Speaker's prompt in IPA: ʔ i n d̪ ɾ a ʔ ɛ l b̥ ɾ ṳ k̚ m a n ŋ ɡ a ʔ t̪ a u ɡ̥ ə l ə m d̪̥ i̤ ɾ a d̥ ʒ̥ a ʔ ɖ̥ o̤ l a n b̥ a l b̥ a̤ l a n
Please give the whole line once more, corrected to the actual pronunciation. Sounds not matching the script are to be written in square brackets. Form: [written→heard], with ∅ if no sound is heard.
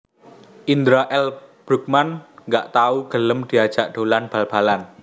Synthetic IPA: ʔ i n d̪ ɾ a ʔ ɛ l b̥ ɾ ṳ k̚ m a n ŋ ɡ a ʔ t̪ a u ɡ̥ ə l ə m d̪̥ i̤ [ɾ→∅] a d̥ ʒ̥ a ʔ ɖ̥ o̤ l a n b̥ a l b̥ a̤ l a n